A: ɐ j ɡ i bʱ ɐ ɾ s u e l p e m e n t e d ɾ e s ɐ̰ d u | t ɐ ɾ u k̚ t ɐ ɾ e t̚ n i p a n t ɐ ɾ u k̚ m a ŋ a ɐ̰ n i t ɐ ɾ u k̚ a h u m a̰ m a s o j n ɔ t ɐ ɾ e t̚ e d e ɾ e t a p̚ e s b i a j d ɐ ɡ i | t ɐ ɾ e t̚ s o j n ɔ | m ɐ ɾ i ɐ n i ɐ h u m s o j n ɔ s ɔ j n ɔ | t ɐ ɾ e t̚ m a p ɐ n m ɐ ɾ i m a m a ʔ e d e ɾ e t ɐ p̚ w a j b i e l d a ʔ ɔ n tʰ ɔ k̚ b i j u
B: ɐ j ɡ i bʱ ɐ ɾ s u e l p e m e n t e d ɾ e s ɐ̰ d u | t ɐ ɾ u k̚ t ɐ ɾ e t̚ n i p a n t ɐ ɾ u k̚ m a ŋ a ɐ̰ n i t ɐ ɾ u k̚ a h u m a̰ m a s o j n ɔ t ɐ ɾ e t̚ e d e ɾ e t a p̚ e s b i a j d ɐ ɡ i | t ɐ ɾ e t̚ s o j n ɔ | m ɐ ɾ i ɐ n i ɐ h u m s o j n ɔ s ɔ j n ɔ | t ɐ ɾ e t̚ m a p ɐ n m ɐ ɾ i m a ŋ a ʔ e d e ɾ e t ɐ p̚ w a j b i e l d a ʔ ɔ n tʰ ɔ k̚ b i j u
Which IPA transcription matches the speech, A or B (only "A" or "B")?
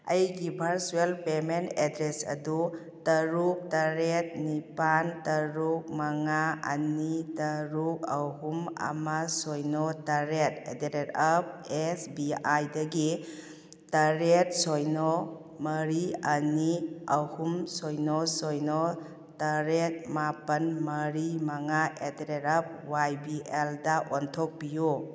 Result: B